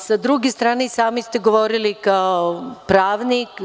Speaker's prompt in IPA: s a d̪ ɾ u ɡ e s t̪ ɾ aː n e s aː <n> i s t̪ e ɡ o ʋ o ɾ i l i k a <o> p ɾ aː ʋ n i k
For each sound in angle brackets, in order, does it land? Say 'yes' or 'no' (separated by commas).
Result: no, yes